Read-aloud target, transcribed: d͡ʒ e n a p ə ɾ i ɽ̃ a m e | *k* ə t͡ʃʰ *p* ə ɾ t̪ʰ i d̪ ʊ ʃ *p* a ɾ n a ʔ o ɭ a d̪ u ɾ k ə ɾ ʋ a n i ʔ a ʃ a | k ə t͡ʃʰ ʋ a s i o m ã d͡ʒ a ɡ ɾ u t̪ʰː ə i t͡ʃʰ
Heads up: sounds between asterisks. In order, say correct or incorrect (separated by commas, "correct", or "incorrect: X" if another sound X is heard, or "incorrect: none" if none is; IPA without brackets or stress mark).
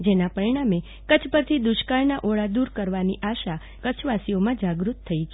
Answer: correct, correct, incorrect: k